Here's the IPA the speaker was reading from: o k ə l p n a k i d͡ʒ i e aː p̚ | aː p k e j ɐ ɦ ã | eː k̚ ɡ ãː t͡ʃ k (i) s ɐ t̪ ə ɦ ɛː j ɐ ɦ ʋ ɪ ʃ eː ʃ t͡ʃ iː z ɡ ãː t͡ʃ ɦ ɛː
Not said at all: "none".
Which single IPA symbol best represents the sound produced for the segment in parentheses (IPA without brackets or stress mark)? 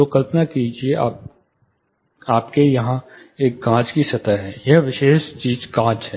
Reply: i